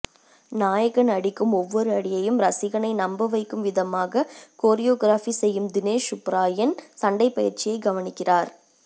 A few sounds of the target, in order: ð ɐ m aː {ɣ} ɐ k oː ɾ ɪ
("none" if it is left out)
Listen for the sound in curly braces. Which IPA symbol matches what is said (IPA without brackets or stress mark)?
ɣ